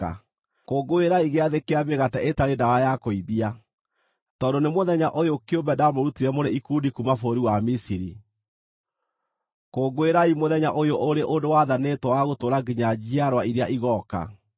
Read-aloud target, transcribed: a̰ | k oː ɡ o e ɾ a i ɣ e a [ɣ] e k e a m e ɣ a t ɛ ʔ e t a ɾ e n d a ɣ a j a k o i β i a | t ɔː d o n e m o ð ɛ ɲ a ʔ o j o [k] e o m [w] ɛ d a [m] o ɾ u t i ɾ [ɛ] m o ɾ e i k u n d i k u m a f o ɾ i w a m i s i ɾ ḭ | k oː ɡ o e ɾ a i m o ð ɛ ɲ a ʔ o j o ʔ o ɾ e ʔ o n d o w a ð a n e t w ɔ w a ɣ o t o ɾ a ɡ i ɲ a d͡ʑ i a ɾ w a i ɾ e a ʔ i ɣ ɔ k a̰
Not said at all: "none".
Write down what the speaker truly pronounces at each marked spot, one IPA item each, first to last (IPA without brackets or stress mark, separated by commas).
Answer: ð, k, b, m, ɛ